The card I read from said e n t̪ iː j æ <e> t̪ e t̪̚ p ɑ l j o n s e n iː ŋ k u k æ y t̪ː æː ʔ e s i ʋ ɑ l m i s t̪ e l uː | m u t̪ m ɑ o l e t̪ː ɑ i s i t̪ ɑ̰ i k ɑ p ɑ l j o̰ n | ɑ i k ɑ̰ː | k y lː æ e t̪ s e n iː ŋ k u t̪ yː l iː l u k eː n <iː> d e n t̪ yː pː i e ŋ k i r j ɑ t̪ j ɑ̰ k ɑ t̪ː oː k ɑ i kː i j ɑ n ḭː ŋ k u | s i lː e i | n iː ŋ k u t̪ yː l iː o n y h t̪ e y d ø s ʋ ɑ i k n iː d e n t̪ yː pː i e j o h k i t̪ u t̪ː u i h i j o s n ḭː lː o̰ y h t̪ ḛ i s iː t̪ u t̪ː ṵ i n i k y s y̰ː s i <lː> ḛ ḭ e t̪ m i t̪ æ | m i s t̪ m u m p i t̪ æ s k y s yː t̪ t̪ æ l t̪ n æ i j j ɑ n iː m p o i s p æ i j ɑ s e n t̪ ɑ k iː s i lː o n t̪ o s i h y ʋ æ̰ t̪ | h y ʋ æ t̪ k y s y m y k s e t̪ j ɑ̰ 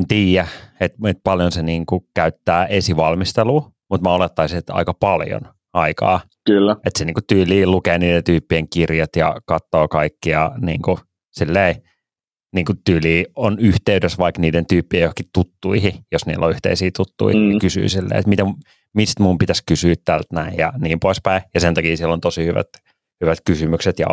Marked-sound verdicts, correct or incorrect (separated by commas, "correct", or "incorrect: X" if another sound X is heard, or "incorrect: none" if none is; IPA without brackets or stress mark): correct, correct, correct